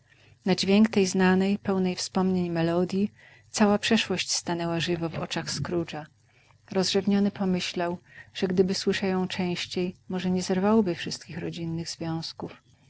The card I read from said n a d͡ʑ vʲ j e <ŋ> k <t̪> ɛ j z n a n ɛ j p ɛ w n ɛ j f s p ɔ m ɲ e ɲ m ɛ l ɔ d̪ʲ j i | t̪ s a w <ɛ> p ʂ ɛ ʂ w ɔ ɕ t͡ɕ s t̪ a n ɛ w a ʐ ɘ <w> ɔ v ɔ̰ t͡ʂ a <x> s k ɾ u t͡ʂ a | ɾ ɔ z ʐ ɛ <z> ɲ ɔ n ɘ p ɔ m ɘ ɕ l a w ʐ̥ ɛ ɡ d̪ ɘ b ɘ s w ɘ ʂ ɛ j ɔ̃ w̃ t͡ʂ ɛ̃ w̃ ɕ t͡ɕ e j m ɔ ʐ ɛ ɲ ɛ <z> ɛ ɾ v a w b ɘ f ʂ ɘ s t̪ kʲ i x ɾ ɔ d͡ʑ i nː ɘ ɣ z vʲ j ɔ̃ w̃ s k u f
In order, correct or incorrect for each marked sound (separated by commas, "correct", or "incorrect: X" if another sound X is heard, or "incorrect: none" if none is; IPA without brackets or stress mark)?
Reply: correct, correct, incorrect: a, incorrect: v, correct, incorrect: v, correct